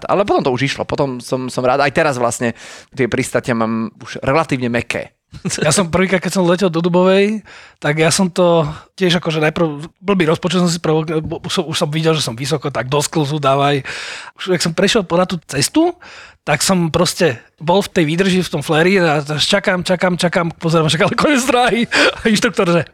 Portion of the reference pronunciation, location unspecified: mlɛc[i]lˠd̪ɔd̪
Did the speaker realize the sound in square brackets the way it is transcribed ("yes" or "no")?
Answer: no